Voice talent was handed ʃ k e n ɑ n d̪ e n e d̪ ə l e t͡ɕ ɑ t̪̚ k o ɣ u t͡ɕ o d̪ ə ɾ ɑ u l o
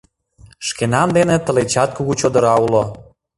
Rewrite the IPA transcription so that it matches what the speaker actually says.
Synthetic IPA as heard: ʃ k e n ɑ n d̪ e n e t̪ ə l e t͡ɕ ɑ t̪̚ k u ɣ u t͡ɕ o d̪ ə ɾ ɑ u l o